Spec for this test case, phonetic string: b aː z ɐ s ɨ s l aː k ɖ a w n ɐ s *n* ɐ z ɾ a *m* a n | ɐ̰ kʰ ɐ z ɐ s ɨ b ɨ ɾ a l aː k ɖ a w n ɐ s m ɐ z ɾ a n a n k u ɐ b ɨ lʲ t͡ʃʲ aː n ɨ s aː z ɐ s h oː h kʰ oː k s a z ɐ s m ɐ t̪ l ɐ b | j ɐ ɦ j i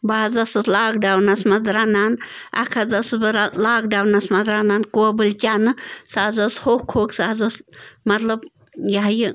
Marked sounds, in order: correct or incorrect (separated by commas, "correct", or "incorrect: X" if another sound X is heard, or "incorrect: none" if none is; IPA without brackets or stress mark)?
incorrect: m, incorrect: n